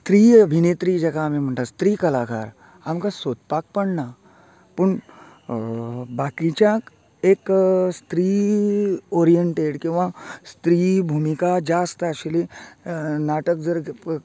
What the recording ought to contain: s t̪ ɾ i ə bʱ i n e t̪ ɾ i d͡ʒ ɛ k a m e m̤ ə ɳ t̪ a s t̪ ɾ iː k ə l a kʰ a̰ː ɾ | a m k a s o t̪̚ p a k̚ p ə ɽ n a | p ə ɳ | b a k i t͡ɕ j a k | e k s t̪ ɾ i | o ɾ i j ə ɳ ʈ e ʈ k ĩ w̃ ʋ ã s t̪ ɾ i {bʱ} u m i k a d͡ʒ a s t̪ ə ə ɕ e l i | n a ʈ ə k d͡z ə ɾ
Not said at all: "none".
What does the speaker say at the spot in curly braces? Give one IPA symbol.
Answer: bʱ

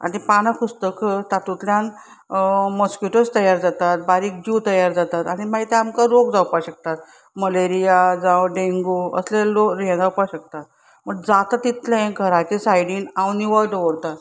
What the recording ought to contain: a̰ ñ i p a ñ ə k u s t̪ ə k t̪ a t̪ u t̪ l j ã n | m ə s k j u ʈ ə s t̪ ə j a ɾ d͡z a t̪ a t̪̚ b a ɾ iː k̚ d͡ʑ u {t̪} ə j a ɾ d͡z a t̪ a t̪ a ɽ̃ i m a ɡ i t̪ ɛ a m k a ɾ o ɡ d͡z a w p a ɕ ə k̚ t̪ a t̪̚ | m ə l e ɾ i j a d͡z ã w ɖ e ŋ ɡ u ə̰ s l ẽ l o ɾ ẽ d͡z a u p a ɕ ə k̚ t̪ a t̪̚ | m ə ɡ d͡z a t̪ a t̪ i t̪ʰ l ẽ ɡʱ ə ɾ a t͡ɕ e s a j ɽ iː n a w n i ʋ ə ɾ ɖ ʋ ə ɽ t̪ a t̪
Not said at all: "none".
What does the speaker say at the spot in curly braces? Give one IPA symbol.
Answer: t̪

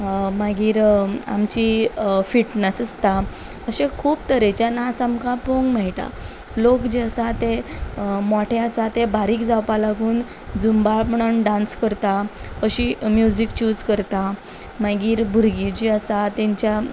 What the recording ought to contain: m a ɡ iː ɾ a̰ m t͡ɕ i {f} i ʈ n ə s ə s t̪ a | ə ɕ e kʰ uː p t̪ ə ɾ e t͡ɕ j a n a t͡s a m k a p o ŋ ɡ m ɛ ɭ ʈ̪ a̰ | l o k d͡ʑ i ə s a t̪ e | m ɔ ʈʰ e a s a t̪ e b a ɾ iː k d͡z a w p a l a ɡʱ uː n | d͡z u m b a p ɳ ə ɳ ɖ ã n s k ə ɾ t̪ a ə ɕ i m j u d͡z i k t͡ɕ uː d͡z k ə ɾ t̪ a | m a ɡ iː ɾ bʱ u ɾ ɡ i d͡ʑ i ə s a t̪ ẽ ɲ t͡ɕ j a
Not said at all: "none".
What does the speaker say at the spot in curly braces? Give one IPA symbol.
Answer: f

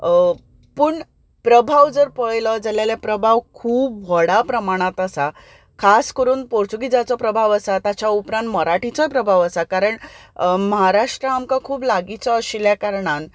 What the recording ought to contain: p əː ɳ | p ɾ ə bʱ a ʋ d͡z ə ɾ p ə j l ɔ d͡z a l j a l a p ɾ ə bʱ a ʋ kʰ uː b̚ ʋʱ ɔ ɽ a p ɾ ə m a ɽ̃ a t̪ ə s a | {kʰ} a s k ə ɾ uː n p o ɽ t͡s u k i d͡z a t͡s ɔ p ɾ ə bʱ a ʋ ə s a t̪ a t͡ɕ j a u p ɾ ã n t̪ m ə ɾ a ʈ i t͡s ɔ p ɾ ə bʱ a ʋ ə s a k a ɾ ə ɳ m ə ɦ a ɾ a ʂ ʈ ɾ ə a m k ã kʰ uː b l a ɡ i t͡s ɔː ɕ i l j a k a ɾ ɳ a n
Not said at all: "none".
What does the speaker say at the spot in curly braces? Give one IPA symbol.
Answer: kʰ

